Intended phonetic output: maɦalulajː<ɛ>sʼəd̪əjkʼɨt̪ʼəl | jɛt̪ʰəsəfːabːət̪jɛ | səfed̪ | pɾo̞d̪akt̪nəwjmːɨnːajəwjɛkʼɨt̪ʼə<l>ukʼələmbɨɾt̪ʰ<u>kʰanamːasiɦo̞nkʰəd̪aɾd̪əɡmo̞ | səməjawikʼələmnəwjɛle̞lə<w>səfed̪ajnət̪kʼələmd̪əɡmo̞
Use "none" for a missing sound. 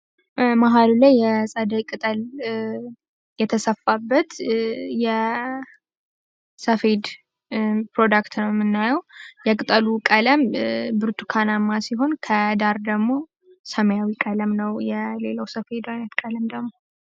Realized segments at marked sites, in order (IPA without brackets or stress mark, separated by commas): ɛ, l, u, w